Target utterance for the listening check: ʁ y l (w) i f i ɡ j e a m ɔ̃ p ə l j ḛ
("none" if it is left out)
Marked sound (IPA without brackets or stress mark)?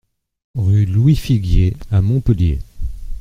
w